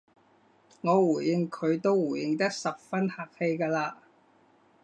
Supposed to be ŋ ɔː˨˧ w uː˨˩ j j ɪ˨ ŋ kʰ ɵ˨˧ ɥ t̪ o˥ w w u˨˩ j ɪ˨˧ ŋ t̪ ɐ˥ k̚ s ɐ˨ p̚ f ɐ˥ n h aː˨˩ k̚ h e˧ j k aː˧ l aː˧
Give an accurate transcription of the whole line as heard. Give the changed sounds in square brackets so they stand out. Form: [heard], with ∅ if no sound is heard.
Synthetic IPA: ŋ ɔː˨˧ w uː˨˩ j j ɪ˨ ŋ kʰ ɵ˨˧ ɥ t̪ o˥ w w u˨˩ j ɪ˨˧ ŋ t̪ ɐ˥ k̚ s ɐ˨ p̚ f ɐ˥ n h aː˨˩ k̚ h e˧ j k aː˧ l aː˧